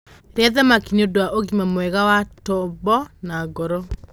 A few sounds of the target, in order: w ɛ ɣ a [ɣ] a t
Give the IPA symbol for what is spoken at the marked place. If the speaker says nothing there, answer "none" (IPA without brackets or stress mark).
w